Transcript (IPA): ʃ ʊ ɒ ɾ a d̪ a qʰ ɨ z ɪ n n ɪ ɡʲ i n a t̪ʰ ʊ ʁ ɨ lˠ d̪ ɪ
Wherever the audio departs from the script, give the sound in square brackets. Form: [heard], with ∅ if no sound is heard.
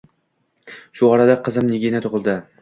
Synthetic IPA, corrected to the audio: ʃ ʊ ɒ ɾ a d̪ a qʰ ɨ z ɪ [m] n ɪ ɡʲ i n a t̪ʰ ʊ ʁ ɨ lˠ d̪ ɪ